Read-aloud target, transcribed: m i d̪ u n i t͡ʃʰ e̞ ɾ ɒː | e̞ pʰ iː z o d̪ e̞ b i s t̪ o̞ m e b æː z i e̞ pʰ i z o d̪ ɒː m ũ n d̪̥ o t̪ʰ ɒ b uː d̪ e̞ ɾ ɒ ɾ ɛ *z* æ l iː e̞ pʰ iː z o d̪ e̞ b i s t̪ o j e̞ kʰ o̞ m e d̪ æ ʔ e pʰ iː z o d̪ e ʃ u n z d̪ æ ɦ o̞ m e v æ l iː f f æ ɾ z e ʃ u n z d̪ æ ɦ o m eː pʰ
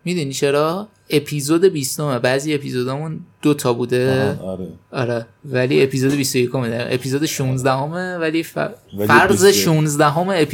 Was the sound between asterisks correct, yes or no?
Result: no